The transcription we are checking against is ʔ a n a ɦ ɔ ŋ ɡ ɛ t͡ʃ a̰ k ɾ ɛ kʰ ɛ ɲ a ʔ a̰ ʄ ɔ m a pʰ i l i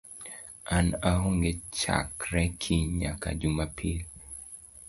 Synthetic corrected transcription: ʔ a n a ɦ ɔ ŋ ɡ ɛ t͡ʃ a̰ k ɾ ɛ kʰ i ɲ a k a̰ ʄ u m a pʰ i l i